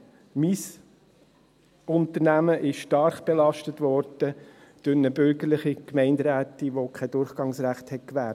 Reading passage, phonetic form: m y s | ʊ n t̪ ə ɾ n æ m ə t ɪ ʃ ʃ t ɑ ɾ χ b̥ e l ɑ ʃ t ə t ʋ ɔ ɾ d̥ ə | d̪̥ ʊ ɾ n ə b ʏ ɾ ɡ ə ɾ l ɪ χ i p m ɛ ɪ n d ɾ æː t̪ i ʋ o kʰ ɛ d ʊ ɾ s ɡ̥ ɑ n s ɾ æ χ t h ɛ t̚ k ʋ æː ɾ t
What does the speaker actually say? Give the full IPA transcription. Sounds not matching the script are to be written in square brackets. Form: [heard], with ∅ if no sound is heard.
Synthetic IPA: m [i] s | ʊ n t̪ ə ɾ n æ m ə [ʔ] ɪ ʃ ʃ t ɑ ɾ χ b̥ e l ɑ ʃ t ə t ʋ ɔ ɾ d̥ ə | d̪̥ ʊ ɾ n ə b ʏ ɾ ɡ ə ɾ l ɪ χ i [k] m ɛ ɪ n d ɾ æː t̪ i ʋ o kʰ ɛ d ʊ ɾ [χ] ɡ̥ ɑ [ŋ] s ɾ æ χ t h ɛ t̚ k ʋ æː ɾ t